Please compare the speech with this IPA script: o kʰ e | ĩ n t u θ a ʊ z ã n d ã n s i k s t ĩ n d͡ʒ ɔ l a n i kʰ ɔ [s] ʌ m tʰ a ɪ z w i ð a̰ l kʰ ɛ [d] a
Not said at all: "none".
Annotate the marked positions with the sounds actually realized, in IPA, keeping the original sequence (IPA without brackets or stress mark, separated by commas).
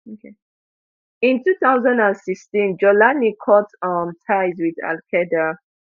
t, d